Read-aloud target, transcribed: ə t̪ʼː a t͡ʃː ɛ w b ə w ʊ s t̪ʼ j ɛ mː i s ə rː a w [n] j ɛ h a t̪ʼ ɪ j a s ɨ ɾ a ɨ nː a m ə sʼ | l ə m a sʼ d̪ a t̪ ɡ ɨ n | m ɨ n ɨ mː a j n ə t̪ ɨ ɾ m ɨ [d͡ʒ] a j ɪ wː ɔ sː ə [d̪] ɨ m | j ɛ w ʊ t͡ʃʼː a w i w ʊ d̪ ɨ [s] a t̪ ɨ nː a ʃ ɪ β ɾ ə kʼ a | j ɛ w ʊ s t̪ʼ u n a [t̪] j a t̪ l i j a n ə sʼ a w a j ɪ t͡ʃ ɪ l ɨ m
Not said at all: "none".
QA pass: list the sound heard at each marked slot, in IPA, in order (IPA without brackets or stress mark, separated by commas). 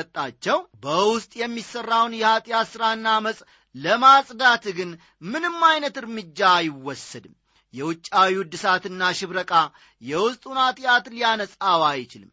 n, d͡ʒː, d̪, s, t̪ʼ